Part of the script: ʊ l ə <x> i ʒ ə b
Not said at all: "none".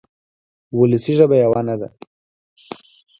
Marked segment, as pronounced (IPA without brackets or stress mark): s